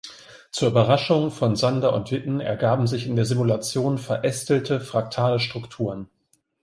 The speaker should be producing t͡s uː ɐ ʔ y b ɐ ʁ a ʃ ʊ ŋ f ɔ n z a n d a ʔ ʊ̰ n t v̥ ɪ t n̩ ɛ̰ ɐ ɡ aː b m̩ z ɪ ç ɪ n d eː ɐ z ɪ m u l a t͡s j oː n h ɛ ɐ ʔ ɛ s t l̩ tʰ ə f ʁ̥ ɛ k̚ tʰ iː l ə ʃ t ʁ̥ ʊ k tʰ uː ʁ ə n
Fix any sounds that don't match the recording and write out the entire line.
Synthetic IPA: t͡s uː ɐ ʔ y b ɐ ʁ a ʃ ʊ ŋ f ɔ n z a n d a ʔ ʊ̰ n t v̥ ɪ t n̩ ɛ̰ ɐ ɡ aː b m̩ z ɪ ç ɪ n d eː ɐ z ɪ m u l a t͡s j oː n f ɛ ɐ ʔ ɛ s t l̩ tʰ ə f ʁ̥ a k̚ tʰ aː l ə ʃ t ʁ̥ ʊ k tʰ uː ʁ ə n